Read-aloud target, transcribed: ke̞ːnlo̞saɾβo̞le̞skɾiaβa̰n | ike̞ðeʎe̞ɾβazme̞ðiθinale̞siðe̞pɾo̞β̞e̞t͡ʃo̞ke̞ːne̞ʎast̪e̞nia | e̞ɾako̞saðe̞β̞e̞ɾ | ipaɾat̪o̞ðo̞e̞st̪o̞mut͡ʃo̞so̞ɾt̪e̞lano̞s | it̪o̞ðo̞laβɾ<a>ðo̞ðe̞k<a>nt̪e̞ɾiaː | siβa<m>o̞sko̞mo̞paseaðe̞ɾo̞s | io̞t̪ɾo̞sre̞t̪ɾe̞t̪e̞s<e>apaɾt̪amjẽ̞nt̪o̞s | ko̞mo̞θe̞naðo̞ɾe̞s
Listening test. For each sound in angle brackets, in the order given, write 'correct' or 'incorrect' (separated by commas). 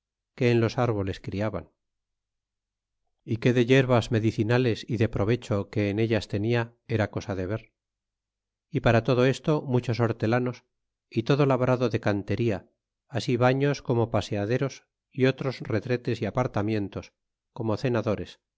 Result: correct, correct, incorrect, incorrect